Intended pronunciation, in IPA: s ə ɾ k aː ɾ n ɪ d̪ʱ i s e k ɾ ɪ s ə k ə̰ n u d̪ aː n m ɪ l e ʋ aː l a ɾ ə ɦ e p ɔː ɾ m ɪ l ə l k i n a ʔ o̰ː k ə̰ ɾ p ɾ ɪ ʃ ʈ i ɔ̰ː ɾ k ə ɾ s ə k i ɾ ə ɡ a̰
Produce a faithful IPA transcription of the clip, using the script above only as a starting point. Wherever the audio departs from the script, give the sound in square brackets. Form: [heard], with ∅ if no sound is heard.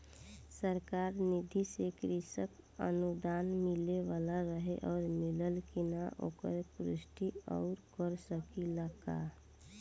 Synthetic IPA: s ə ɾ k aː ɾ n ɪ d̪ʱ i s e k ɾ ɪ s ə k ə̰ n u d̪ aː n m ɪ l e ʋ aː l a ɾ ə ɦ e [ʔ] ɔː ɾ m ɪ l ə l k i n a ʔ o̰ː k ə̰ ɾ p ɾ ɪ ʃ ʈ i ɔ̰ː ɾ k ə ɾ s ə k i [l] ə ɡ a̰